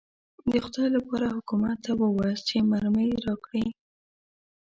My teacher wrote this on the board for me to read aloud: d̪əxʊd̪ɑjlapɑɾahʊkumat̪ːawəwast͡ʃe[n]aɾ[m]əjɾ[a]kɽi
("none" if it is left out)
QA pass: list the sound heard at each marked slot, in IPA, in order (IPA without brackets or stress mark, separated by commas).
m, m, ɑ